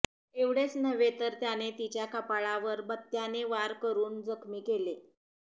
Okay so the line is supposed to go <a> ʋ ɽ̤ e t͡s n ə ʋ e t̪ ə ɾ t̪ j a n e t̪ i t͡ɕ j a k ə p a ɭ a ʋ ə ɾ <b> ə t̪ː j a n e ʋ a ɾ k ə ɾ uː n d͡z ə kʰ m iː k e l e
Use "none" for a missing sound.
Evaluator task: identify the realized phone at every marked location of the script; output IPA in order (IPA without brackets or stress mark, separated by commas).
e, b